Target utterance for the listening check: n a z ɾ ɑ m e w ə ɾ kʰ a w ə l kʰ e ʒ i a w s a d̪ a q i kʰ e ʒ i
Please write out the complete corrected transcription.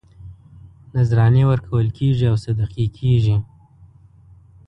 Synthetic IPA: n a z ɾ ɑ n e w ə ɾ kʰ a w ə l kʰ e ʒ i a w s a d̪ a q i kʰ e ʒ i

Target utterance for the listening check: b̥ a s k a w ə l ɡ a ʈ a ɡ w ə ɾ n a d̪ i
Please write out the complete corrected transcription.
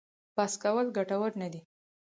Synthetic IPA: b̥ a s k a w ə l ɡ a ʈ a w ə ɾ n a d̪ i

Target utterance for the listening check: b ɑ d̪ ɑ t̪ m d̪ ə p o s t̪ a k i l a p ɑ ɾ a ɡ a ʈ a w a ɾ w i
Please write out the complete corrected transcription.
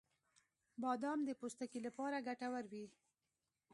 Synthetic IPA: b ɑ d̪ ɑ m d̪ ə p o s t̪ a k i l a p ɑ ɾ a ɡ a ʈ a w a ɾ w i

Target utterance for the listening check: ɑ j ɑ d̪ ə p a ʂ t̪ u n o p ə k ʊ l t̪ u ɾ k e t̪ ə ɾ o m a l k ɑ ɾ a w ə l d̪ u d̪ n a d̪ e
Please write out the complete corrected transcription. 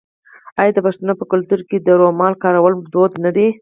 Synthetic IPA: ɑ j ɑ d̪ ə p a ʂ t̪ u n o p ə k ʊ l t̪ u ɾ k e d̪ ə ɾ o m ɑ l k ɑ ɾ a w ə l d̪ o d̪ n a d̪ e

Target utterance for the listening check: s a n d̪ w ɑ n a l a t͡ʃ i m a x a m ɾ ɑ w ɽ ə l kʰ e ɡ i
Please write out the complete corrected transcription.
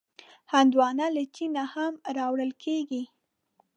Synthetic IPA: h a n d̪ w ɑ n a l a t͡ʃ i n a h a m ɾ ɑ w ɽ ə l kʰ e ɡ i

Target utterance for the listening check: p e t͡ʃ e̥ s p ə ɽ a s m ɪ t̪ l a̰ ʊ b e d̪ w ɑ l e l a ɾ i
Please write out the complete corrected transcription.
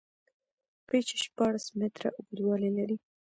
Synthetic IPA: p e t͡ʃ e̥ ʃ p ɑ ɽ a s m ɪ t̪ ɾ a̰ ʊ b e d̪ w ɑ l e l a ɾ i

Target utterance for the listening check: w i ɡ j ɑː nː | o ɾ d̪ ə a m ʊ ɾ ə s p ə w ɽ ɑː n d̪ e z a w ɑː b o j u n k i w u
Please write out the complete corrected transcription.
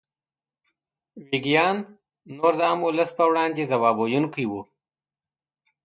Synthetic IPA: w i ɡ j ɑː nː | o ɾ d̪ ə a m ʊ l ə s p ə w ɽ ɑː n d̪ e z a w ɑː b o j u n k i w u

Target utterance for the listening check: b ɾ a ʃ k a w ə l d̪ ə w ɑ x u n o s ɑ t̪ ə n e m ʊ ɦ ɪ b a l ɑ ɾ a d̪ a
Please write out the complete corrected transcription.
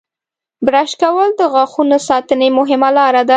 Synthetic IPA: b ɾ a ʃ k a w ə l d̪ ə ɣ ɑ x u n o s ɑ t̪ ə n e m ʊ ɦ ɪ m a l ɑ ɾ a d̪ a

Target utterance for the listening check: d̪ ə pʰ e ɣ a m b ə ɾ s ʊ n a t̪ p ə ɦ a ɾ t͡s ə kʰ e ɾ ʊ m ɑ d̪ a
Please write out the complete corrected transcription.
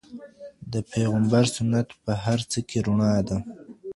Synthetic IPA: d̪ ə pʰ e ɣ a m b a ɾ s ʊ n a t̪ p ə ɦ a ɾ t͡s ə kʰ e ɾ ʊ ɳ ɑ d̪ a

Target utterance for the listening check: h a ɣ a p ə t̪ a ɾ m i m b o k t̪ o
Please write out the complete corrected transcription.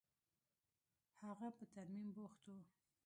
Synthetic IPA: h a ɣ a p ə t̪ a ɾ m i m b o x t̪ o

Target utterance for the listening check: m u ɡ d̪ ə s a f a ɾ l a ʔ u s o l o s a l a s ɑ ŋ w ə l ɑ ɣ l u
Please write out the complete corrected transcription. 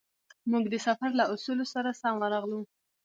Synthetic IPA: m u ɡ d̪ ə s a f a ɾ l a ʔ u s u l o s a ɾ a s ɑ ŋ w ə ɾ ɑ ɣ l u

